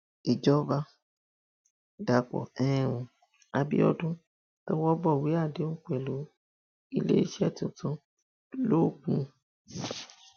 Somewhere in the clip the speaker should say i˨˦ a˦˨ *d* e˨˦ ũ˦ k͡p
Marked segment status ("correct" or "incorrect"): correct